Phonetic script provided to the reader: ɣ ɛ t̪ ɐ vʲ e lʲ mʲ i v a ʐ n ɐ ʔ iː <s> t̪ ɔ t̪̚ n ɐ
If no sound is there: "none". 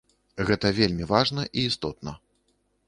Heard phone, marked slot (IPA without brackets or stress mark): s